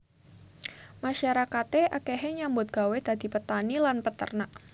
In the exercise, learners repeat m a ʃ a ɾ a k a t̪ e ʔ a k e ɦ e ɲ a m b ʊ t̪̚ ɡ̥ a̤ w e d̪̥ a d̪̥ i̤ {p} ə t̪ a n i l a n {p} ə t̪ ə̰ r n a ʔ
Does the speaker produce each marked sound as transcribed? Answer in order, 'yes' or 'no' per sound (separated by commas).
yes, yes